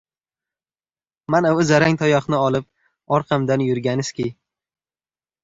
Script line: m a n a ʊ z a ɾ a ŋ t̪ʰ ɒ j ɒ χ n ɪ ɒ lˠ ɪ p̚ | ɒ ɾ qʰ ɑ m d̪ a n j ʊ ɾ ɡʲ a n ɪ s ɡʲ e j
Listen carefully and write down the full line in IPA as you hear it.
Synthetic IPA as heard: m a n a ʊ z a ɾ a ŋ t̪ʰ ɒ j ɒ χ n ɪ ɒ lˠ ɪ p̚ | ɒ ɾ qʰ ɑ m d̪ a n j ʊ ɾ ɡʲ a n ɪ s kʲ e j